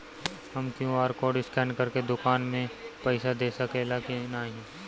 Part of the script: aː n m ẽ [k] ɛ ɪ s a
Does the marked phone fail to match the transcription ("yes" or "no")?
yes